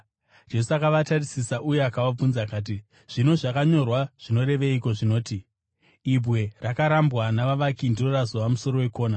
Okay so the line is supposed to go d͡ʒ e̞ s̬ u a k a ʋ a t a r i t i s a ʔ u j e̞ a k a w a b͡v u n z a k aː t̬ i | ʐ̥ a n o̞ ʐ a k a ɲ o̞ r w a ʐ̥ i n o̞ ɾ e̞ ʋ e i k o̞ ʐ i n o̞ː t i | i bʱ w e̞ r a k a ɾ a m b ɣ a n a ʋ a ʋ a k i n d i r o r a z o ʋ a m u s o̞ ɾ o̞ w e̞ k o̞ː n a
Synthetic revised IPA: d͡ʒ e̞ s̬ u a k a ʋ a t a r i s i s a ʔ u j e̞ a k a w a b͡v u n z a k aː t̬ i | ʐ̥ i n o̞ ʐ a k a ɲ o̞ r w a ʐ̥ i n o̞ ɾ e̞ ʋ e i k o̞ ʐ i n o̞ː t i | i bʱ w e̞ r a k a ɾ a m b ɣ a n a ʋ a ʋ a k i n d i r o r a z o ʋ a m u s o̞ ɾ o̞ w e̞ k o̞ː n a